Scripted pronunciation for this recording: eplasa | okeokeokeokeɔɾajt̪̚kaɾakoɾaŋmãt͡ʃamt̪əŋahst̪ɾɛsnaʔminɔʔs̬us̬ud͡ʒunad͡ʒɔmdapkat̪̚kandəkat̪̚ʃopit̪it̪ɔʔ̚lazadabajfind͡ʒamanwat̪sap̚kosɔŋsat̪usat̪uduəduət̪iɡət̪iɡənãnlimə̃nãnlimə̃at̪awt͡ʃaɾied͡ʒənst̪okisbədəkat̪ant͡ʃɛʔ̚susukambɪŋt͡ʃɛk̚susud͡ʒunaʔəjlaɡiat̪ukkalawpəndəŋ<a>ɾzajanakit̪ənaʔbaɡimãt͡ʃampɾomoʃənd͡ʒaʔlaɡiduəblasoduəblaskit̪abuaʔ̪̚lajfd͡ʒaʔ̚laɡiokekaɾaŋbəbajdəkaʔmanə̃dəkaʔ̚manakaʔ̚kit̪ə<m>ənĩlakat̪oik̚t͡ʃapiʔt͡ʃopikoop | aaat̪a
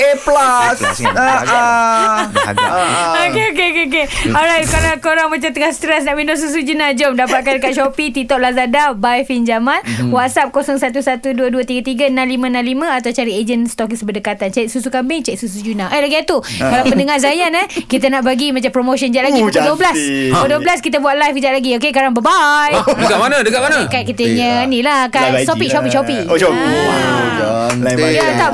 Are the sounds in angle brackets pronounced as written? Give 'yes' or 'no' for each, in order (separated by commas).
yes, no